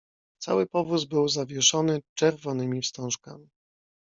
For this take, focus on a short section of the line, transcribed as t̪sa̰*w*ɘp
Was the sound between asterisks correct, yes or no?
yes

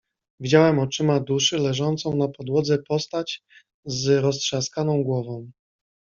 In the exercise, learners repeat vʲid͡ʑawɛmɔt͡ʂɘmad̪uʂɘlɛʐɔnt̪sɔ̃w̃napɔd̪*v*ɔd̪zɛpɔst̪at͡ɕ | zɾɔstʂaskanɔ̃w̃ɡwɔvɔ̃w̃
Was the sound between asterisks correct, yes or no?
no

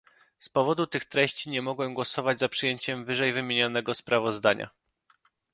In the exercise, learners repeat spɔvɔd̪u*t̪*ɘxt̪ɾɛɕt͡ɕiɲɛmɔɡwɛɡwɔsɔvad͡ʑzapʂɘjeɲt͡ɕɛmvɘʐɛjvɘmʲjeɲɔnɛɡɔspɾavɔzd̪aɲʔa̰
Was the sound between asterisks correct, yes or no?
yes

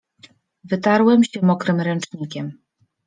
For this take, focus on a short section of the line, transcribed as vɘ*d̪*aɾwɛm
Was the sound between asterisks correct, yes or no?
no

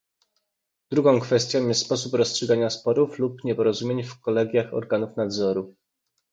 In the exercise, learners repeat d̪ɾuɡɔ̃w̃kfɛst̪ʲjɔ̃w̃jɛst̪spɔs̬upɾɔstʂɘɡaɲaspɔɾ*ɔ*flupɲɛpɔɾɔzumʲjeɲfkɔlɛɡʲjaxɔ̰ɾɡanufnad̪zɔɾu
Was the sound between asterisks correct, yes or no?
no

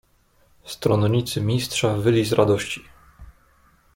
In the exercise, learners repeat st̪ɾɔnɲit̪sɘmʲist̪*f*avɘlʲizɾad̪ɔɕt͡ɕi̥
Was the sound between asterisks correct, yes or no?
no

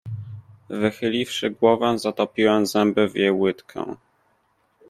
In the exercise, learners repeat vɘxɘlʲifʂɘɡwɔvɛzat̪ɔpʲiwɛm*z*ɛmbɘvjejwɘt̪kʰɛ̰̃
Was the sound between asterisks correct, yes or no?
yes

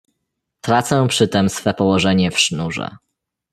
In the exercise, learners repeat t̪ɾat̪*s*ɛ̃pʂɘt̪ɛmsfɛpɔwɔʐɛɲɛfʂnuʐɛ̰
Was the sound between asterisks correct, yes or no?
yes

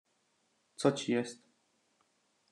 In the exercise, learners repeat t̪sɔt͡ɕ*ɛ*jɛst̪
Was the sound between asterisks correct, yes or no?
no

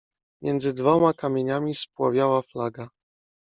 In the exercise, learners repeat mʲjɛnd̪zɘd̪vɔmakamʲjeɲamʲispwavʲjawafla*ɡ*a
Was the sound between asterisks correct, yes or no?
yes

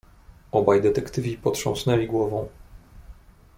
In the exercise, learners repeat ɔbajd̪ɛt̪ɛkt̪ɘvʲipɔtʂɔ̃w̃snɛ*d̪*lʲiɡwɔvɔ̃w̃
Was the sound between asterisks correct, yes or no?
no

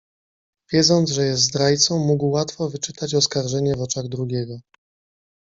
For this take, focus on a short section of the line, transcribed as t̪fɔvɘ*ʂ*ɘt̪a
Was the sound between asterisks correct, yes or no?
no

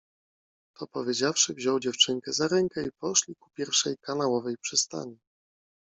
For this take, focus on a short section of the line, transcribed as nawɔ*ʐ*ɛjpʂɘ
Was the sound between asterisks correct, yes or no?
no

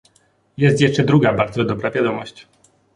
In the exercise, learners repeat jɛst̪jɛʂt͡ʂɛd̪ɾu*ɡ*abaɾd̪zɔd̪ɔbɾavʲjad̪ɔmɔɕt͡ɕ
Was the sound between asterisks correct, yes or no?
yes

